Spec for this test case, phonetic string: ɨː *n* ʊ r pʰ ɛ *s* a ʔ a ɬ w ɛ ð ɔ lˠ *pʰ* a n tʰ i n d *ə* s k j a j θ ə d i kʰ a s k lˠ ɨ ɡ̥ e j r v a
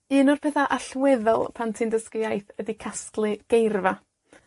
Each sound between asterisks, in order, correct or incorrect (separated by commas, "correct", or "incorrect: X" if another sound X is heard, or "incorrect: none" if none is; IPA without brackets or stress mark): correct, incorrect: θ, correct, correct